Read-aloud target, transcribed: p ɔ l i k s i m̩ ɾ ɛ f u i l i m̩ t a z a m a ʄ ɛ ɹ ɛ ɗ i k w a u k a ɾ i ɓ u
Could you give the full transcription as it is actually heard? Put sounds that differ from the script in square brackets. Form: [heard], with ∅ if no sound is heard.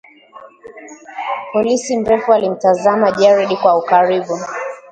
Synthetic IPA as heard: p ɔ l i [∅] s i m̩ ɾ ɛ f u [a] l i m̩ t a z a m a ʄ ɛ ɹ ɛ ɗ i k w a u k a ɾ i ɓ u